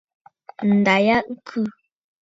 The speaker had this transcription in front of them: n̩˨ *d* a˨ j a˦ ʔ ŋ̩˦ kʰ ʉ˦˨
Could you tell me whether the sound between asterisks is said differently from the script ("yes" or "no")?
no